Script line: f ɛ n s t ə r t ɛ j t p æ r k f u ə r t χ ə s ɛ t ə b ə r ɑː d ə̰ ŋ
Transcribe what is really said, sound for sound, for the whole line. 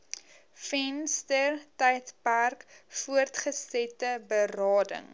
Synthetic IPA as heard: f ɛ n s t ə r t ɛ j t p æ r k f u ə r t χ ə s ɛ t ə b ə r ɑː d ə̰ ŋ